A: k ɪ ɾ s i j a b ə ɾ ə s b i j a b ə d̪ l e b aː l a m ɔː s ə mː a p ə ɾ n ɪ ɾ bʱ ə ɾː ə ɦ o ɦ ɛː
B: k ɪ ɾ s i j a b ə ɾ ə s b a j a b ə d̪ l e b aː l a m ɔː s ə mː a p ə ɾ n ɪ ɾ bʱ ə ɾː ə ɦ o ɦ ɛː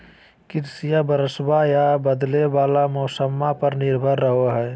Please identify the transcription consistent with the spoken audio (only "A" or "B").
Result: B